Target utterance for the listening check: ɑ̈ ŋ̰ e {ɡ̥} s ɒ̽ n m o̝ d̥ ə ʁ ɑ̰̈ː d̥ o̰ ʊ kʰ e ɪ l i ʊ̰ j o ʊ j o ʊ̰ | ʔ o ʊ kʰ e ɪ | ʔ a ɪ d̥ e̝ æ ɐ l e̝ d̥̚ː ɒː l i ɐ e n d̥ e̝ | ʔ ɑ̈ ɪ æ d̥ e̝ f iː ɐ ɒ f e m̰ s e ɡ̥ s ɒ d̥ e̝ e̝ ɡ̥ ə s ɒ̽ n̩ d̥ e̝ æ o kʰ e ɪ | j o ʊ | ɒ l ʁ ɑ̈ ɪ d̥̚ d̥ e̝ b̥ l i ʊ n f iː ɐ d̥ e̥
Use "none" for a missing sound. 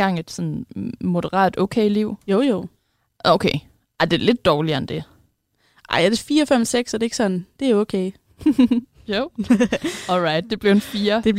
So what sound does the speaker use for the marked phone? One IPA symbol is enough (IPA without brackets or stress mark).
d̥